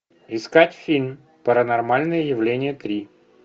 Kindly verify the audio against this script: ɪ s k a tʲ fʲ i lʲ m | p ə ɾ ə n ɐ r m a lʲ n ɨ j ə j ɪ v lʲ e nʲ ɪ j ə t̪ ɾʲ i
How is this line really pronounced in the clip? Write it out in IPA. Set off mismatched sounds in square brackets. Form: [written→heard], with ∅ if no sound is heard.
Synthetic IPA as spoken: ɪ s k a tʲ fʲ i lʲ m | p ə ɾ ə n ɐ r m a lʲ n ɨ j ə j ɪ v lʲ e nʲ ɪ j ə t̪ ɾʲ i